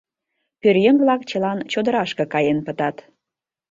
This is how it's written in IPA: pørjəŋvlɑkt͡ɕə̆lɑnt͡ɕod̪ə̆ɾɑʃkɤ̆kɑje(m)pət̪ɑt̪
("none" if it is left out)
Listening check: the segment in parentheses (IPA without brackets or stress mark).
n